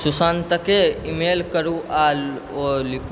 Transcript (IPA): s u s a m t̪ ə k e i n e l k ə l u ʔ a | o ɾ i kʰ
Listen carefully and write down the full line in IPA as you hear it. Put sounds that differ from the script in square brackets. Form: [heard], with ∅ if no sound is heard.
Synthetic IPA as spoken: s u s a [n] t̪ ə k e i [m] e l k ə [ɾ] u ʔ a | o [l] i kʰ

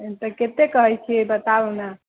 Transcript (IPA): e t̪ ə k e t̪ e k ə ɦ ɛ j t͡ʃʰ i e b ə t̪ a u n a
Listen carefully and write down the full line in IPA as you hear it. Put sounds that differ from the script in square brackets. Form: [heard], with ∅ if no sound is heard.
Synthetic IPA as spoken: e t̪ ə k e t̪ e k ə ɦ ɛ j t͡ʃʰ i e b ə t̪ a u n a

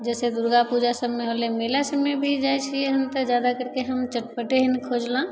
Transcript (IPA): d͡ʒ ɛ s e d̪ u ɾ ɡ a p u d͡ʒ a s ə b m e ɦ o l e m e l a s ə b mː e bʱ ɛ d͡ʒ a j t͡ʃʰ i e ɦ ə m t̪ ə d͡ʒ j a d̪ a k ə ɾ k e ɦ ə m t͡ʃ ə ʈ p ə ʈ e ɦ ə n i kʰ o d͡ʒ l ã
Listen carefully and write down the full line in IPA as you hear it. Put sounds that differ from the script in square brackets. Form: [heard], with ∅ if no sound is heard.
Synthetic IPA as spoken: d͡ʒ ɛ s e d̪ u ɾ ɡ a p u d͡ʒ a s ə b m e ɦ o l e m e l a s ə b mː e bʱ [i] d͡ʒ a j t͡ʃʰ i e ɦ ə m t̪ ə d͡ʒ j a d̪ a k ə ɾ k e ɦ ə m t͡ʃ ə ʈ p ə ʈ e ɦ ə n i kʰ o d͡ʒ l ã

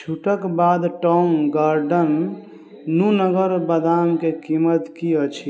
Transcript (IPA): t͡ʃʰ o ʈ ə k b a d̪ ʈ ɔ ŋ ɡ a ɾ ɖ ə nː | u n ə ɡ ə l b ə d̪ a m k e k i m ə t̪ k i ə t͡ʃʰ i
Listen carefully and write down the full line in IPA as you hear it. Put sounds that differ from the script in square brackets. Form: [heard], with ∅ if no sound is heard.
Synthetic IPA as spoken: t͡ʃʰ [u] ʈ ə k b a d̪ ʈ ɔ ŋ ɡ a ɾ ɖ ə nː | u n ə ɡ ə [ɾ] b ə d̪ a m k e k i m ə t̪ k i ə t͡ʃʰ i

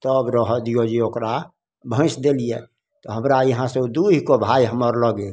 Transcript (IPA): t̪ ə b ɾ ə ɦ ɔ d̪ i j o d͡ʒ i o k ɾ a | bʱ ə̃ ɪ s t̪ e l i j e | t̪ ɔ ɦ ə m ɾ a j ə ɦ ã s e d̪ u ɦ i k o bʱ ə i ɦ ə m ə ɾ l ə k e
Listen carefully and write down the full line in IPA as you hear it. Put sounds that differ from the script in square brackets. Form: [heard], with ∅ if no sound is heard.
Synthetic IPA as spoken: t̪ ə b ɾ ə ɦ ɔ d̪ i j o d͡ʒ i o k ɾ a | bʱ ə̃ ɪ s [d̪] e l i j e | t̪ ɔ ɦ ə m ɾ a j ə ɦ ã s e d̪ u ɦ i k o bʱ [a] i ɦ ə m ə ɾ l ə [ɡ] e

